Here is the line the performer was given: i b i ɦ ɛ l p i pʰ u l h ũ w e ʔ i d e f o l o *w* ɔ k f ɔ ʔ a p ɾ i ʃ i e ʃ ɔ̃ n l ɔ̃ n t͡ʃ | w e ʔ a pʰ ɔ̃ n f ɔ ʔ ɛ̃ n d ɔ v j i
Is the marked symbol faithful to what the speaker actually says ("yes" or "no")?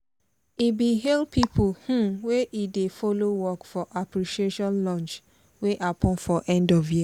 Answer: yes